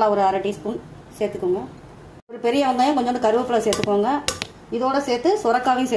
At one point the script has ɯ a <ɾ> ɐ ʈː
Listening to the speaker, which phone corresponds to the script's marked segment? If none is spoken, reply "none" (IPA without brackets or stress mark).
ɾ